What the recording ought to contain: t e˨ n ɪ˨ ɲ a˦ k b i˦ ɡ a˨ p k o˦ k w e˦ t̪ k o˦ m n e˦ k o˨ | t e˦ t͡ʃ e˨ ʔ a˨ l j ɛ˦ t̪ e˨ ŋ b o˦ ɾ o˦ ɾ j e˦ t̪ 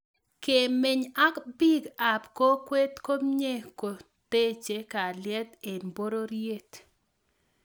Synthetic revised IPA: k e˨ m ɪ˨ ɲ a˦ k b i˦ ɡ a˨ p k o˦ k w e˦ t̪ k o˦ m ɲ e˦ k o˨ | t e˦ t͡ʃ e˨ k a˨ l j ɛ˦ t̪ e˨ n b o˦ ɾ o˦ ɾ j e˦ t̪